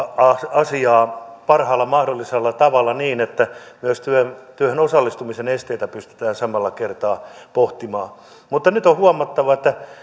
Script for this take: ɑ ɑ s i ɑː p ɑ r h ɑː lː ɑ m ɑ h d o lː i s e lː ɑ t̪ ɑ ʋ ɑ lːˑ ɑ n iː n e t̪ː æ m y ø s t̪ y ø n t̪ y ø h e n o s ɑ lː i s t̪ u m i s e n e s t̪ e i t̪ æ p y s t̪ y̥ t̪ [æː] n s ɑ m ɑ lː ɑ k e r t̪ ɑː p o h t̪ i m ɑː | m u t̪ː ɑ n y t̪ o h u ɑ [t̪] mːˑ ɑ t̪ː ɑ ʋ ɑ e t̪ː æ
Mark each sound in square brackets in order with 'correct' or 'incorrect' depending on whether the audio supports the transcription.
correct, incorrect

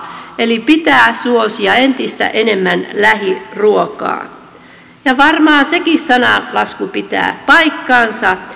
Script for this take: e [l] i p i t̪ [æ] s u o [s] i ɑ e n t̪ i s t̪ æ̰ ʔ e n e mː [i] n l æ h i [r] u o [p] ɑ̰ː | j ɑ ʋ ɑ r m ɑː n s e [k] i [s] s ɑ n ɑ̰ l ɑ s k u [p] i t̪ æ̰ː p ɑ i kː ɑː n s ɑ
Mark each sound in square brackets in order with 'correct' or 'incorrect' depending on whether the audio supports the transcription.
correct, incorrect, correct, incorrect, correct, incorrect, correct, correct, correct

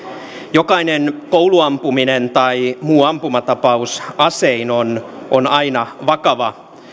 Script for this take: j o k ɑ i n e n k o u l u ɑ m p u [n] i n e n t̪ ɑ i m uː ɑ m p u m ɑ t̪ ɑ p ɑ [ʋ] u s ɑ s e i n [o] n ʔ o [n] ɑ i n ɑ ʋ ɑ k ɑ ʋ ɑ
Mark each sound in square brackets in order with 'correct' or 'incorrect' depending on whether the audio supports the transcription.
incorrect, incorrect, correct, correct

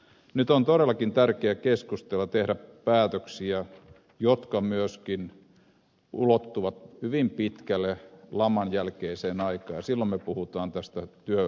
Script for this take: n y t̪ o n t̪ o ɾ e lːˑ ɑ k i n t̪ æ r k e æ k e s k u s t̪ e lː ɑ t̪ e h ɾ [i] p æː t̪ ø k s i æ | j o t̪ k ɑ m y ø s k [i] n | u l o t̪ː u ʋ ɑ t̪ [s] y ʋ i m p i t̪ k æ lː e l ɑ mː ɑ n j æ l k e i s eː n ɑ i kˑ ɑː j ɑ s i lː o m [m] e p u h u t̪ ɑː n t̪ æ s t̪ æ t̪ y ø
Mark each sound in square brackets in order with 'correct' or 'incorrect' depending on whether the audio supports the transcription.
incorrect, correct, incorrect, correct

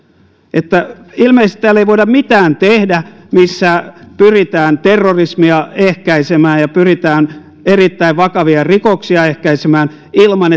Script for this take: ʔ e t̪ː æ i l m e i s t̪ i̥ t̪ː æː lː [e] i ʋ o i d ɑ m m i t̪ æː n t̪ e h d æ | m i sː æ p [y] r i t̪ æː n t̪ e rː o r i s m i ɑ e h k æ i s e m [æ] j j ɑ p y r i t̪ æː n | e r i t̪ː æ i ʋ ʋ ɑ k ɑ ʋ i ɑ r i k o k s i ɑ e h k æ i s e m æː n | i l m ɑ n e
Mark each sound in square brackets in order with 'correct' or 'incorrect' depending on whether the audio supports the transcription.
correct, correct, incorrect

